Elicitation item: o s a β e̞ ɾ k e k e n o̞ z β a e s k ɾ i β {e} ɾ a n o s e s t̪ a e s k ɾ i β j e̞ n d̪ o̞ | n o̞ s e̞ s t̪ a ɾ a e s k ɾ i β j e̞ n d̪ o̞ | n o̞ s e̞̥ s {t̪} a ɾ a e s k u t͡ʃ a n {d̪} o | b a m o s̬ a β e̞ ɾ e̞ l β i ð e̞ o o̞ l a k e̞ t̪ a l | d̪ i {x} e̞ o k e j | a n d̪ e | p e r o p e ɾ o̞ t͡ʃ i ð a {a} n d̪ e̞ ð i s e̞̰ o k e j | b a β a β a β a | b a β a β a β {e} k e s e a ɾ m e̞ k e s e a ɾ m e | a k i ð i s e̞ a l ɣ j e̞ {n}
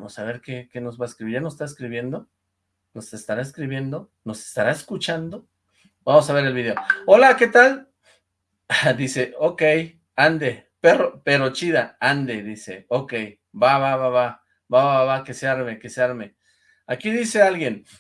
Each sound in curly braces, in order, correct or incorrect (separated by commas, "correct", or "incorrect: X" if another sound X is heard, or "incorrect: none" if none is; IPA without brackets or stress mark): incorrect: i, correct, correct, incorrect: s, correct, incorrect: a, correct